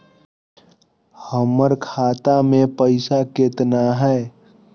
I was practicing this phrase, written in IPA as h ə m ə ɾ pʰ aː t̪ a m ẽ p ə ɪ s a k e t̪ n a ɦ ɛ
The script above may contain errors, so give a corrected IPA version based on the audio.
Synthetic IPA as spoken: h ə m ə ɾ kʰ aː t̪ a m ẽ p ə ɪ s a k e t̪ n a ɦ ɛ